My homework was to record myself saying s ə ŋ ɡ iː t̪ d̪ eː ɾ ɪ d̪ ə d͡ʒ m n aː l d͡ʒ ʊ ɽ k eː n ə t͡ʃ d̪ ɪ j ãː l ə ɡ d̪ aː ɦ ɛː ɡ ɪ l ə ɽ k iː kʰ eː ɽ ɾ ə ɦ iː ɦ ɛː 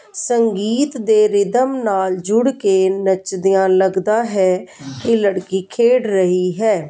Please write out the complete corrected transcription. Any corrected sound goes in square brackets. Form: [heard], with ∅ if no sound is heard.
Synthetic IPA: s ə ŋ ɡ iː t̪ d̪ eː ɾ ɪ d̪ ə [∅] m n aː l d͡ʒ ʊ ɽ k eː n ə t͡ʃ d̪ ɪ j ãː l ə ɡ d̪ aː ɦ ɛː [k] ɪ l ə ɽ k iː kʰ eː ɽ ɾ ə ɦ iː ɦ ɛː